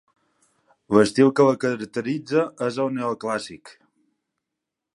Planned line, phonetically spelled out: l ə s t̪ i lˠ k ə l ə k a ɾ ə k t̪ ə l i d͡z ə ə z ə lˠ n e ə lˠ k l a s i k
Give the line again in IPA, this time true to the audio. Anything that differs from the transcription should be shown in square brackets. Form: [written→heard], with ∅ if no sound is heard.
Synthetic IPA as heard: l ə s t̪ i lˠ k ə l ə k [a→ə] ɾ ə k t̪ ə [l→ɾ] i d͡z ə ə z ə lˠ n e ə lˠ k l a s i k